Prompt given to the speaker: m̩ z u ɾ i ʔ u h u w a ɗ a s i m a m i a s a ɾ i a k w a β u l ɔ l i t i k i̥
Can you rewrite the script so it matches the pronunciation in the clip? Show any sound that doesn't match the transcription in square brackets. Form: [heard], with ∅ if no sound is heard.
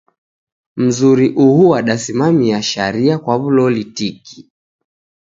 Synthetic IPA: m̩ z u ɾ i ʔ u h u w a ɗ a s i m a m i a [ʃ] a ɾ i a k w a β u l ɔ l i t i k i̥